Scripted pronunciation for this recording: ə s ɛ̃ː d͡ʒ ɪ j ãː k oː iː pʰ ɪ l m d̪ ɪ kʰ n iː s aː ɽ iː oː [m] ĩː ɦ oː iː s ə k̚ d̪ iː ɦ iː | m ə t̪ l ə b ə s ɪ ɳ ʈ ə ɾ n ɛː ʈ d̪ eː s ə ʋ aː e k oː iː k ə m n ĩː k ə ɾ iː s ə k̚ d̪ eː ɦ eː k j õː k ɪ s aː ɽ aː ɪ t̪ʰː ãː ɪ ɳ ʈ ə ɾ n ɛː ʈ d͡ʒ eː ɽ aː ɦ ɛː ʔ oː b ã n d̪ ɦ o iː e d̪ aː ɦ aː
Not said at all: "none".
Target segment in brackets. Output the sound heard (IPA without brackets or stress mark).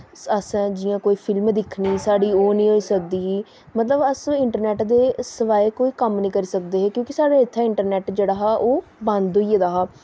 n